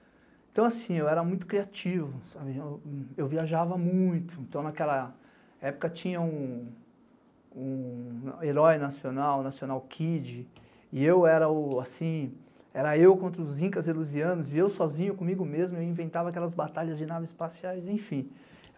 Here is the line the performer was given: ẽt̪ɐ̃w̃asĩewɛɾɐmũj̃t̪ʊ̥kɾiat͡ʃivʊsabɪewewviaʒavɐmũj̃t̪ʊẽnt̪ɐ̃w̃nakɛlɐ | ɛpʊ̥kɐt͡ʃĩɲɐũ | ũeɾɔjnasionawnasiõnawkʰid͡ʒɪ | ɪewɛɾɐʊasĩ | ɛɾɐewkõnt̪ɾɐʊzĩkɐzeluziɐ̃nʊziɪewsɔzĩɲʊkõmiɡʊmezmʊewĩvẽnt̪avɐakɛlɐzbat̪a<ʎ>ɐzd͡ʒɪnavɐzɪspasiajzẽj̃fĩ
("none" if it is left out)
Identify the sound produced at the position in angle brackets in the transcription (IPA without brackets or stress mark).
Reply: ʎ